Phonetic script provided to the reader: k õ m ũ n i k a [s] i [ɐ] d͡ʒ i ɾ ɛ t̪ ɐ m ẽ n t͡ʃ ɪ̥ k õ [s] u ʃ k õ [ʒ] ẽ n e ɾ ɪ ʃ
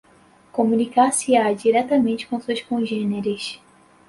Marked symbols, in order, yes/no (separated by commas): yes, no, yes, yes